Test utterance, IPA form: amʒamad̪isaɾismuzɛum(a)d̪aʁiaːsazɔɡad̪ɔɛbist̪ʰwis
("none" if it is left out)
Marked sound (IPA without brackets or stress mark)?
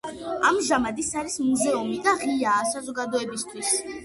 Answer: i